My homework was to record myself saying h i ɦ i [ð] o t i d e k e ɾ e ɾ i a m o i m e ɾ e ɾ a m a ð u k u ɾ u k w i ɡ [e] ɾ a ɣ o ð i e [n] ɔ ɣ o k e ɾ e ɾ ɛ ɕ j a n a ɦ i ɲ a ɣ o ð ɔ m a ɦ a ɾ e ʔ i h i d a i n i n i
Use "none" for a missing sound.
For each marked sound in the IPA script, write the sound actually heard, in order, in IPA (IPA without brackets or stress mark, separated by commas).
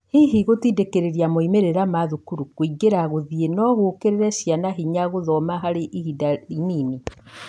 ɣ, e, n